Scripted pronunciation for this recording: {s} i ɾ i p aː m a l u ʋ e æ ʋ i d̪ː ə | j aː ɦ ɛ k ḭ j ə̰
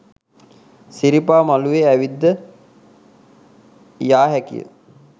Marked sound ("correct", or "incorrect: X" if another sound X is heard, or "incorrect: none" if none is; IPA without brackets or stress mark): correct